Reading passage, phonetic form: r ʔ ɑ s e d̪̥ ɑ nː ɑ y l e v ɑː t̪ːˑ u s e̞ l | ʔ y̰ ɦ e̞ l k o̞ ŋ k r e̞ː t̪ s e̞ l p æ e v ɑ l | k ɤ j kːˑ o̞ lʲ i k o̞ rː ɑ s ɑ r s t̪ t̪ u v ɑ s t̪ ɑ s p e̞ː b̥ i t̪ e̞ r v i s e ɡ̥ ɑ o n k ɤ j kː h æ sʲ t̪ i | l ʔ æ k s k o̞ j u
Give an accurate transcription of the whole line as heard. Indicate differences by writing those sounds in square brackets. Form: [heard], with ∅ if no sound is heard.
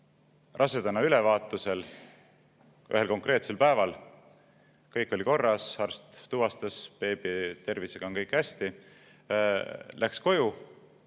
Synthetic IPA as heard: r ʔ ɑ s e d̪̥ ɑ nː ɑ y l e v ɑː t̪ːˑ u s e̞ l | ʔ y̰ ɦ e̞ l k o̞ ŋ k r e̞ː t̪ s e̞ l p æ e v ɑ l | k ɤ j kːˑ o̞ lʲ i k o̞ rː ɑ s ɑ r s t̪ t̪ u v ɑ s t̪ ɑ s p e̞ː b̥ i t̪ e̞ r v i s e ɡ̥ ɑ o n k ɤ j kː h æ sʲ t̪ i | l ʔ æ k s k o̞ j u